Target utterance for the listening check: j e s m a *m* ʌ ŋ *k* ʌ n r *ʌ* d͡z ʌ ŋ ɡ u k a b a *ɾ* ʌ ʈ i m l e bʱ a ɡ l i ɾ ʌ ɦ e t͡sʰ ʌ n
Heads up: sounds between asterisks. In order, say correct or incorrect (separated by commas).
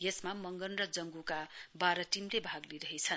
correct, incorrect, correct, correct